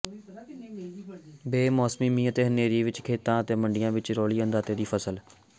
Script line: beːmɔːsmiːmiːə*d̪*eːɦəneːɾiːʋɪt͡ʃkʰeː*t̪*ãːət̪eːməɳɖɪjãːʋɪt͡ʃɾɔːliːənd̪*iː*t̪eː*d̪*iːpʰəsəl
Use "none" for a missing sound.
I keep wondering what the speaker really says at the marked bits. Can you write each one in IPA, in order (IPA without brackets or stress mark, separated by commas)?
t̪, t̪, aː, d̪